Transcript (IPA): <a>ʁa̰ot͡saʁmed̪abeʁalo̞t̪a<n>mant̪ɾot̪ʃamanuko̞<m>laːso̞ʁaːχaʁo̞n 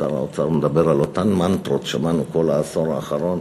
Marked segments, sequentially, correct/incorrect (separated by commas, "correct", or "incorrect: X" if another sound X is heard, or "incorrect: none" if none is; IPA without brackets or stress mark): correct, correct, incorrect: none